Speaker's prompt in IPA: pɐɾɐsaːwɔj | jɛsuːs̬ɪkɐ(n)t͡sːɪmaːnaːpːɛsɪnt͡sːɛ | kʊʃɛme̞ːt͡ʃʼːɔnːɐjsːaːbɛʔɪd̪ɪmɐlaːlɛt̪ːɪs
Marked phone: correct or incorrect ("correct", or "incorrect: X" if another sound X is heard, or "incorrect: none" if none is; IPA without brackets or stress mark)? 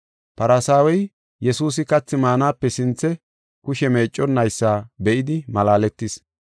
incorrect: none